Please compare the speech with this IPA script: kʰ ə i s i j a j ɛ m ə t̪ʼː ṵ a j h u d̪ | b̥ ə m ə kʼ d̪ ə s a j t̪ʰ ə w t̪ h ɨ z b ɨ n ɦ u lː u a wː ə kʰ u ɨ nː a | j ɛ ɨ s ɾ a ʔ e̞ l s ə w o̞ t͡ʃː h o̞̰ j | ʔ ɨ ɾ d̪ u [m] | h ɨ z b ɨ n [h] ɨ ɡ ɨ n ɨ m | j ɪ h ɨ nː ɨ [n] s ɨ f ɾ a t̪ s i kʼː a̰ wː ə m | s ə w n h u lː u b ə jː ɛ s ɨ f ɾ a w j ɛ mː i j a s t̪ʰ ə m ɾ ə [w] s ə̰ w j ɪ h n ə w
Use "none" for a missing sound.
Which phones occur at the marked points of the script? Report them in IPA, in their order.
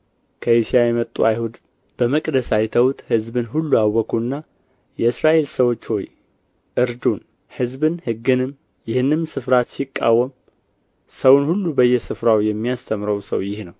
n, h, m, w

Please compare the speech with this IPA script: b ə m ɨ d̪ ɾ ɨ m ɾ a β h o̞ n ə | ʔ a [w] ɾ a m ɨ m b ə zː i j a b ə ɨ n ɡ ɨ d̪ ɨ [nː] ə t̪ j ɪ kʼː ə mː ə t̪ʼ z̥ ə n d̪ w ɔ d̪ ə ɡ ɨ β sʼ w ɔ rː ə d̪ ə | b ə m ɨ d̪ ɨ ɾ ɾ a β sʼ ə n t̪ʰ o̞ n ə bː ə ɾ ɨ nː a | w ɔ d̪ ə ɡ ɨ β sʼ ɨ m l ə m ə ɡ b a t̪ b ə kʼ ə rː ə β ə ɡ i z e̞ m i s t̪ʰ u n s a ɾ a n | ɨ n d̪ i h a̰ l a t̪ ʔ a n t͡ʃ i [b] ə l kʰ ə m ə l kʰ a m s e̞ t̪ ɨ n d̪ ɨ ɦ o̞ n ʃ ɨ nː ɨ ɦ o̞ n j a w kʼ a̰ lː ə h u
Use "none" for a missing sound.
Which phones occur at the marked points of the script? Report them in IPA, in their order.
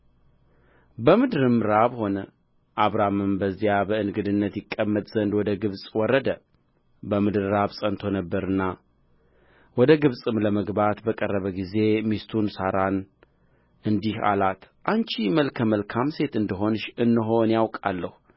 β, nː, m

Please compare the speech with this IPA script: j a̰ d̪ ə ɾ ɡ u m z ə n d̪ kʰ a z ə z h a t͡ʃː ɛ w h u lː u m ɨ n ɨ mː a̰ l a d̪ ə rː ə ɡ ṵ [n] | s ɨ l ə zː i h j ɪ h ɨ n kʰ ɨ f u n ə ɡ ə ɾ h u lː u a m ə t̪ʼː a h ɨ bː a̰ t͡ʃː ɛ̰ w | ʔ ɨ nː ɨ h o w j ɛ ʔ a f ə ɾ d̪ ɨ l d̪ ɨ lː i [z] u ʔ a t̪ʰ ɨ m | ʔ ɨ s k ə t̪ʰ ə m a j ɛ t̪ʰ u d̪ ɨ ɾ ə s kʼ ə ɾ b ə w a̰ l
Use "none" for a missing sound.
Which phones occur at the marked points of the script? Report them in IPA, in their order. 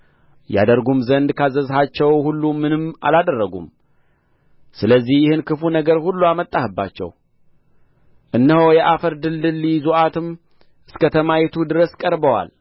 m, z

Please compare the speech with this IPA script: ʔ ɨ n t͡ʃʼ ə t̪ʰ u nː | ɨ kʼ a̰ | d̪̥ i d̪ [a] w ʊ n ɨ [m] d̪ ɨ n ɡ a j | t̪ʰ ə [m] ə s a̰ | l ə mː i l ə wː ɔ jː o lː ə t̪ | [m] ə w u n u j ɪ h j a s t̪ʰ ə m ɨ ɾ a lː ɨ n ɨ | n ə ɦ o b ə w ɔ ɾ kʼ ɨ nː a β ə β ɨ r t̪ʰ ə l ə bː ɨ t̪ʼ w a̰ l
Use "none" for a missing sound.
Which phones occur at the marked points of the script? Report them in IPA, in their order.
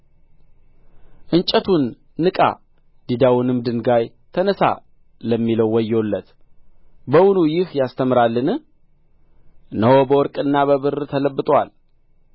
a, m, n, b

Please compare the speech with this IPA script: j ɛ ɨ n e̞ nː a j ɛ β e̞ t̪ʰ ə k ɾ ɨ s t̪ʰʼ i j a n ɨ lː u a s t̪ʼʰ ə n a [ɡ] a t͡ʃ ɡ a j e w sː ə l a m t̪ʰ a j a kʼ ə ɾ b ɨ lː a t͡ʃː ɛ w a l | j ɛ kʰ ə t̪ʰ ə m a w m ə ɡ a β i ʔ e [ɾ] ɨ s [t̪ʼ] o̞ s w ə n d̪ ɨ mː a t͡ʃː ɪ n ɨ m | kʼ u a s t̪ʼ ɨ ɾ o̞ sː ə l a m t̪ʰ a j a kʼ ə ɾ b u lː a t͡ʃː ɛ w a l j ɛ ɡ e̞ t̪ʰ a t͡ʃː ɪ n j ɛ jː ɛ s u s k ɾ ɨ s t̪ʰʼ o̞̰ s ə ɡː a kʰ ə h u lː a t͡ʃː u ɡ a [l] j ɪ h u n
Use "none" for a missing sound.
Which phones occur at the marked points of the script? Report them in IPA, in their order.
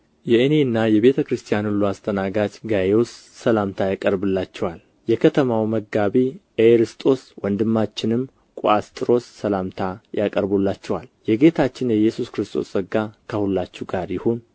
ɡ, ɾ, t̪ʼ, ɾ

